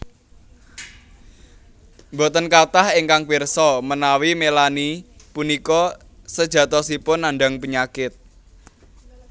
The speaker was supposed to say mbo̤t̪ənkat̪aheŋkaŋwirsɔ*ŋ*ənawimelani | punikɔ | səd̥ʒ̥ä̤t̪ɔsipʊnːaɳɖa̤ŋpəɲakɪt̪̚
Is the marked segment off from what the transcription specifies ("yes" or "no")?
yes